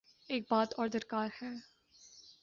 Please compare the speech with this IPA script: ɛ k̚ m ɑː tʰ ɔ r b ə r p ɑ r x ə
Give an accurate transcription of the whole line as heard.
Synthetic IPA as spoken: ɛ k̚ b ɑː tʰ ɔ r d ə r k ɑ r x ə